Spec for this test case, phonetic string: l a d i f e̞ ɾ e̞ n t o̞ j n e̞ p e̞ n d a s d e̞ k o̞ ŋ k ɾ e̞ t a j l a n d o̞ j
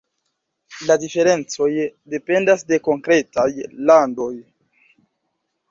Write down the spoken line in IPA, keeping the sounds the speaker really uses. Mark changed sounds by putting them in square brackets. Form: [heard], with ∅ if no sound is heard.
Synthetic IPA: l a d i f e̞ ɾ e̞ n [t͡s] o̞ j [d] e̞ p e̞ n d a s d e̞ k o̞ ŋ k ɾ e̞ t a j l a n d o̞ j